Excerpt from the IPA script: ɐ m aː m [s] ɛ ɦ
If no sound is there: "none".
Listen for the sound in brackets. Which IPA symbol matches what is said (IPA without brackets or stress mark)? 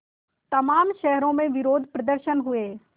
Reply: ʃ